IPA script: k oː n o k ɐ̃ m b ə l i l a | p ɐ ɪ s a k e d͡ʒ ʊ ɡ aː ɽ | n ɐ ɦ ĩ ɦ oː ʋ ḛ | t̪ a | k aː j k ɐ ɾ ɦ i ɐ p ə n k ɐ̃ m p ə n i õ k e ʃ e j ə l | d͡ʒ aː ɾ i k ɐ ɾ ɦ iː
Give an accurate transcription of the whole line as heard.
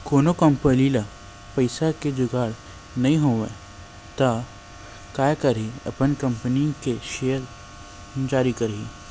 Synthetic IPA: k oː n o k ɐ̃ m p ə l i l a | p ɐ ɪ s a k e d͡ʒ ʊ ɡ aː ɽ | n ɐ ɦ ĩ ɦ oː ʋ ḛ | t̪ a | k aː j k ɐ ɾ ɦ i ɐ p ə n k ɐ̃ m p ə n i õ k e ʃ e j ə ɾ | d͡ʒ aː ɾ i k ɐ ɾ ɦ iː

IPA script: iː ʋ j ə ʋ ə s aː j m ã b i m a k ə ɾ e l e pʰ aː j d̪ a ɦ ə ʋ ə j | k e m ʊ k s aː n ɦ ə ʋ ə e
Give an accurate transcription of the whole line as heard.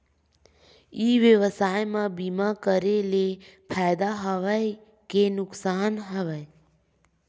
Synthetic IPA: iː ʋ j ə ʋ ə s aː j m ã b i m a k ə ɾ e l e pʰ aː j d̪ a ɦ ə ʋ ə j | k e n ʊ k s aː n ɦ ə ʋ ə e

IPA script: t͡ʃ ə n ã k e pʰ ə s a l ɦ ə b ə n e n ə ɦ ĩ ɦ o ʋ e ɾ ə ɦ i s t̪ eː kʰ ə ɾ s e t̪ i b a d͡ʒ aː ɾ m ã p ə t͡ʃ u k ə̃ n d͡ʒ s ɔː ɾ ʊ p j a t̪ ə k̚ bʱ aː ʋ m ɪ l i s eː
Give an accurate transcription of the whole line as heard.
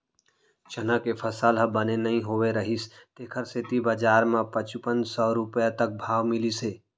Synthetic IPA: t͡ʃ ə n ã k e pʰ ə s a l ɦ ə b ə n e n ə ɦ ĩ ɦ o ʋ e ɾ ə ɦ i s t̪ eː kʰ ə ɾ s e t̪ i b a d͡ʒ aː ɾ m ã p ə t͡ʃ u p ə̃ n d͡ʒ s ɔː ɾ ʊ p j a t̪ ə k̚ bʱ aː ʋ m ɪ l i s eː

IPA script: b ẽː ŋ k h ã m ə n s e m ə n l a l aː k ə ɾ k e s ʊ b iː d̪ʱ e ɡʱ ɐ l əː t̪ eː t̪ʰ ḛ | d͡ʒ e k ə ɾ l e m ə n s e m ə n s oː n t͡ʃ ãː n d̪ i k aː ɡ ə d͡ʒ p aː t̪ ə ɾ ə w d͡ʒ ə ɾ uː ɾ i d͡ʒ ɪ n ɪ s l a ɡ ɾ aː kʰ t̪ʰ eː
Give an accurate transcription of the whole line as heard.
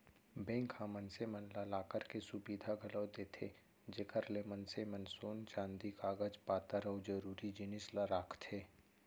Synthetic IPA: b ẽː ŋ k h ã m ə n s e m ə n l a l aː k ə ɾ k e s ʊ b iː d̪ʱ a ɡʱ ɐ l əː d̪ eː t̪ʰ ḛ | d͡ʒ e k ə ɾ l e m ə n s e m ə n s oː n t͡ʃ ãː n d̪ i k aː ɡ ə d͡ʒ p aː t̪ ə ɾ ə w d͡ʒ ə ɾ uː ɾ i d͡ʒ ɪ n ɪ s l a ɾ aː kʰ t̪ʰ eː

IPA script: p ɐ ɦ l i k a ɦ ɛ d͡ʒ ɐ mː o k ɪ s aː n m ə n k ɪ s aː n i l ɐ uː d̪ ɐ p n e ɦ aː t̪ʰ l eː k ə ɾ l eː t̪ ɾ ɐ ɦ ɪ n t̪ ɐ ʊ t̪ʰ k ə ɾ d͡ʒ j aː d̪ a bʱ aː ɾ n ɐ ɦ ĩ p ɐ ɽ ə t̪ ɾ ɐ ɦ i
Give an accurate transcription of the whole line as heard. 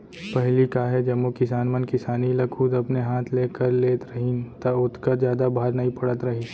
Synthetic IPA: p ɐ ɦ l i k a ɦ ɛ d͡ʒ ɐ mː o k ɪ s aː n m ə n k ɪ s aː n i l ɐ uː d̪ ɐ p n e ɦ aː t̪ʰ l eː k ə ɾ l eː t̪ ɾ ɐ ɦ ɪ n t̪ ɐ ʊ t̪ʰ k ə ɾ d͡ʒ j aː d̪ a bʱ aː ɾ n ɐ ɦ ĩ p ɐ ɽ ə t̪ ɾ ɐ ɦ i

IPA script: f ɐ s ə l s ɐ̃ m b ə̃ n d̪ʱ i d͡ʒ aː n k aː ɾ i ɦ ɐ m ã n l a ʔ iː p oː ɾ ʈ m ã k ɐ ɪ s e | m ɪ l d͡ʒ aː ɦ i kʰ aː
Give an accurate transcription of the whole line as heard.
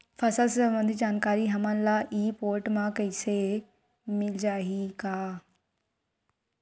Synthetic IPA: f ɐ s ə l s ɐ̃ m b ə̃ n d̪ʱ i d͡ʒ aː n k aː ɾ i ɦ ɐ m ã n l a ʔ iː p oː ɾ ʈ m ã k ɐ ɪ s e | m ɪ l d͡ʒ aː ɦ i k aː

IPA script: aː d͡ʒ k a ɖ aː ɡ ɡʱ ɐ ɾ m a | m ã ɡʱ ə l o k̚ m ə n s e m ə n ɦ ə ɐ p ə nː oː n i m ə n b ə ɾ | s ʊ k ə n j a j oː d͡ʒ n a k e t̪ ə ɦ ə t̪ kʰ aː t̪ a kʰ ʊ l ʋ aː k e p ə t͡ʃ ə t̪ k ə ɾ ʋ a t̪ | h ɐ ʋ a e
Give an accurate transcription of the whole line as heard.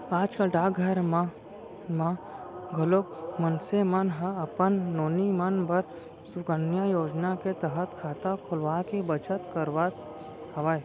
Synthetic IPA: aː d͡ʒ k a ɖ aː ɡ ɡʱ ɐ ɾ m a | m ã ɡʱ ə l o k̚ m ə n s e m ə n ɦ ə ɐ p ə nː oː n i m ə n b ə ɾ | s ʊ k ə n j a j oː d͡ʒ n a k e t̪ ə ɦ ə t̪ kʰ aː t̪ a kʰ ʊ l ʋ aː k e b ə t͡ʃ ə t̪ k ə ɾ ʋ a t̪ | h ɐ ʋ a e

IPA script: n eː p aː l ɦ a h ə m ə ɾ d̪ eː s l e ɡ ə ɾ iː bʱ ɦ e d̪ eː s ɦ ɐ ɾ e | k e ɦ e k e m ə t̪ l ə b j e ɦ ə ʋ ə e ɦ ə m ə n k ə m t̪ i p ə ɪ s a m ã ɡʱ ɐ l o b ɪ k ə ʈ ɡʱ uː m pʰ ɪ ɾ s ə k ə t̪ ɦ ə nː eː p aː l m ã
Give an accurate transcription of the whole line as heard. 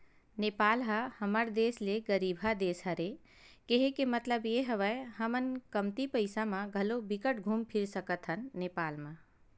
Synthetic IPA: n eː p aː l ɦ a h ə m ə ɾ d̪ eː s l e ɡ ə ɾ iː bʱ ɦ a d̪ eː s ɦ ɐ ɾ e | k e ɦ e k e m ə t̪ l ə b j e ɦ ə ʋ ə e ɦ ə m ə n k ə m t̪ i p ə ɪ s a m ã ɡʱ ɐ l o b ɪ k ə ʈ ɡʱ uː m pʰ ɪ ɾ s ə k ə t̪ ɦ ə nː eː p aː l m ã

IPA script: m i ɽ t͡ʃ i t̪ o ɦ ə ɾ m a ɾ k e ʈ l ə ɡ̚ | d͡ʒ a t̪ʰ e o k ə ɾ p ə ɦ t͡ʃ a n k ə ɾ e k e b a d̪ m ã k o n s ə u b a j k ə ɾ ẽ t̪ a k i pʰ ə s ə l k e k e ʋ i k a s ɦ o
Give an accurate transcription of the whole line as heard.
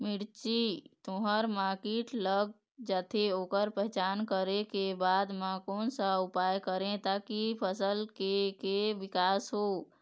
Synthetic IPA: m i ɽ t͡ʃ i t̪ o ɦ ə ɾ m a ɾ k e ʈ l ə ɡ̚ | d͡ʒ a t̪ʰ e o k ə ɾ p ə ɦ t͡ʃ a n k ə ɾ e k e b a d̪ m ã k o n s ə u p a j k ə ɾ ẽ t̪ a k i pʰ ə s ə l k e k e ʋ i k a s ɦ o

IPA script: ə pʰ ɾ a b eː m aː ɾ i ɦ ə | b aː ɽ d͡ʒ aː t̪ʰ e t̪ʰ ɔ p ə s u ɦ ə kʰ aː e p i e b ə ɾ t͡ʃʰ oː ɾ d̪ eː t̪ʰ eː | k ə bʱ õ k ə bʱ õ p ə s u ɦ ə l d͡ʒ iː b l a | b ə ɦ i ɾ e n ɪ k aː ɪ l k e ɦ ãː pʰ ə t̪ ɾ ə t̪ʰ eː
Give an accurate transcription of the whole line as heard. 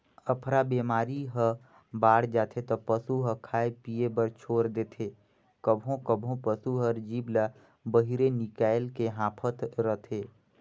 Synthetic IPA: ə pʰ ɾ a b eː m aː ɾ i ɦ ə | b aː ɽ d͡ʒ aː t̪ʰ e t̪ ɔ p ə s u ɦ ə kʰ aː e p i e b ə ɾ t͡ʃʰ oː ɾ d̪ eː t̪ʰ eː | k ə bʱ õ k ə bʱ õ p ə s u ɦ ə ɾ d͡ʒ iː b l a | b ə ɦ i ɾ e n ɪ k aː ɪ l k e ɦ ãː pʰ ə t̪ ɾ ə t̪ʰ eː

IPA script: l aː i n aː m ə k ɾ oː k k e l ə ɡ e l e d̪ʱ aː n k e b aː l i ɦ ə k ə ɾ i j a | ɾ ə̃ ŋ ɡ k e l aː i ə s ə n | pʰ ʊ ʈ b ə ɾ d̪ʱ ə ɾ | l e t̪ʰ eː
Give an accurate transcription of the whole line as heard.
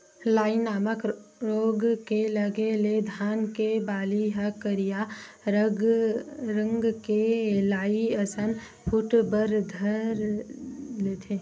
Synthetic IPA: l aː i n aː m ə k ɾ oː ɡ k e l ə ɡ e l e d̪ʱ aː n k e b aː l i ɦ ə k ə ɾ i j a | ɾ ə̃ ŋ ɡ k e l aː i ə s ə n | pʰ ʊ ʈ b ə ɾ d̪ʱ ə ɾ | l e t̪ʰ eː

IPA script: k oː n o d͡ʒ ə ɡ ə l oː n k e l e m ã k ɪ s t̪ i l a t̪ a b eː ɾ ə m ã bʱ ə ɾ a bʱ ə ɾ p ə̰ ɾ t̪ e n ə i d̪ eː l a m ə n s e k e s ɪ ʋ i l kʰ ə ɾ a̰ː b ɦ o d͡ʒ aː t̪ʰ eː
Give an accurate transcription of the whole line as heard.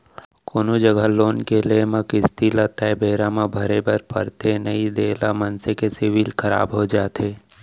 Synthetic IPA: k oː n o d͡ʒ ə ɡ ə l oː n k e l e m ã k ɪ s t̪ i l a t̪ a b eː ɾ a m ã bʱ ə ɾ e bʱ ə ɾ p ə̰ ɾ t̪ e n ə i d̪ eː l a m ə n s e k e s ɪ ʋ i l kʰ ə ɾ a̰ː b ɦ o d͡ʒ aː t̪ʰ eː

